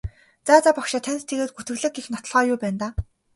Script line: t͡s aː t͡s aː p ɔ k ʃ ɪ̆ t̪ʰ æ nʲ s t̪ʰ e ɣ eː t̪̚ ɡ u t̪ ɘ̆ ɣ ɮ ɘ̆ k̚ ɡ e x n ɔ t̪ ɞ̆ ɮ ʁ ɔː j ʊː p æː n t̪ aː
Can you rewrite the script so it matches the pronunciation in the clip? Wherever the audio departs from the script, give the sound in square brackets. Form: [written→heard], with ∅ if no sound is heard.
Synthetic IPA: t͡s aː t͡s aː p ɔ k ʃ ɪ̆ t̪ʰ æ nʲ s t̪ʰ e ɣ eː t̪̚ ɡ u t̪ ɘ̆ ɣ ɮ ɘ̆ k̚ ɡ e x n ɔ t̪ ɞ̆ ɮ ʁ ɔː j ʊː p æː n t̪ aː